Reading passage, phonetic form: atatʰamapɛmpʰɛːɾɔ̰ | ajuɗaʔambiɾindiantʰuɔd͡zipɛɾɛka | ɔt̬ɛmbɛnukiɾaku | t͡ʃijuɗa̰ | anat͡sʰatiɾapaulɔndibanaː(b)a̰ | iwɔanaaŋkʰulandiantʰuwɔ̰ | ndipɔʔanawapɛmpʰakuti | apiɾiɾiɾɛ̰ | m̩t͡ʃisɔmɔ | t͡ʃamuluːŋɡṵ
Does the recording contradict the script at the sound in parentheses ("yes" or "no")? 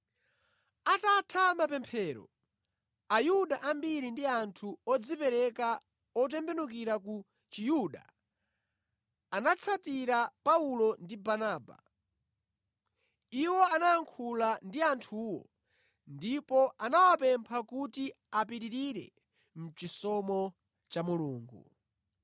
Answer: no